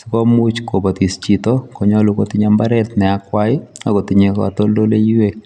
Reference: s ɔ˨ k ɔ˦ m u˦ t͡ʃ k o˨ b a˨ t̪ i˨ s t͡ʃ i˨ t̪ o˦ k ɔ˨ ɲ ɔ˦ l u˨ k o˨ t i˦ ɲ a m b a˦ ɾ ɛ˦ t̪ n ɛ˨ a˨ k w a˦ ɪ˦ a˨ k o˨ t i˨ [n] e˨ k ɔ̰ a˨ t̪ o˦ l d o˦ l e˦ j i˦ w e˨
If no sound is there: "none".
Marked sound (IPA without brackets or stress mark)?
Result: ɲ